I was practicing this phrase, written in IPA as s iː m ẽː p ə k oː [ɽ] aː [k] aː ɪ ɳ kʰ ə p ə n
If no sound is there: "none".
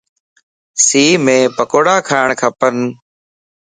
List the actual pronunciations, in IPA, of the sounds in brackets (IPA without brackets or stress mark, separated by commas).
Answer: ɽ, kʰ